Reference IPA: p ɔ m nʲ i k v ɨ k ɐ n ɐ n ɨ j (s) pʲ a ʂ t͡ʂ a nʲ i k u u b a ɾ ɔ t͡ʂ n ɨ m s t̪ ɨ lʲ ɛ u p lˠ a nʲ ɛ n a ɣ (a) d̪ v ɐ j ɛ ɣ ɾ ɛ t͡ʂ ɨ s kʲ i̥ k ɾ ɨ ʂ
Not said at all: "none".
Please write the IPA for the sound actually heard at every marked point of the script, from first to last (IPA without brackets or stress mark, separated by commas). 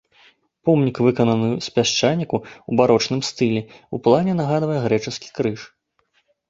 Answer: s, a